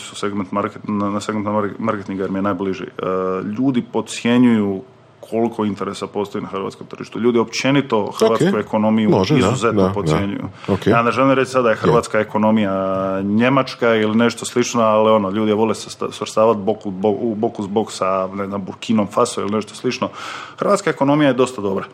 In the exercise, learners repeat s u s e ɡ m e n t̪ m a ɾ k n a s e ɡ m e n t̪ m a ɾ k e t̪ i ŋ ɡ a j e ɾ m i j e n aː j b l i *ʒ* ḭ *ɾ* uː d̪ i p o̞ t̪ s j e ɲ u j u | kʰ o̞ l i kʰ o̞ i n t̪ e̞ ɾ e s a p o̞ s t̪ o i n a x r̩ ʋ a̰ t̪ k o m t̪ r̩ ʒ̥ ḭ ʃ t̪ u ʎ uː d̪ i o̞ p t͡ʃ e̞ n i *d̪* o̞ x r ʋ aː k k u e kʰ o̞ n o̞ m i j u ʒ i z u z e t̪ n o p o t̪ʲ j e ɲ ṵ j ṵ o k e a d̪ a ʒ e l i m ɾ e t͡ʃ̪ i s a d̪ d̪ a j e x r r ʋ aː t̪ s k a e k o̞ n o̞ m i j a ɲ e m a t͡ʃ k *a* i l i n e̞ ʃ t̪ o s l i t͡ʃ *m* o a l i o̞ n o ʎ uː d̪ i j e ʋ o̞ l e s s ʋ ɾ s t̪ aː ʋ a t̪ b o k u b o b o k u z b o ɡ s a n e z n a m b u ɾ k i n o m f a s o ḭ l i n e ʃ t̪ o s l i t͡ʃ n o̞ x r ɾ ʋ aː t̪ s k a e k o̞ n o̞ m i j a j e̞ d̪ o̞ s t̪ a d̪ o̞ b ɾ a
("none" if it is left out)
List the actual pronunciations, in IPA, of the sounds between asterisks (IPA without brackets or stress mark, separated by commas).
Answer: ʒ, ʎ, t̪, a, n